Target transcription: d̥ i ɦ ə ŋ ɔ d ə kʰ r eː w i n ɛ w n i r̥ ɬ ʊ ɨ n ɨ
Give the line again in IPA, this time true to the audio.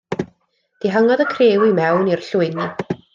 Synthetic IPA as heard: d̥ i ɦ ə ŋ ɔ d ə kʰ r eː w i m ɛ w n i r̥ ɬ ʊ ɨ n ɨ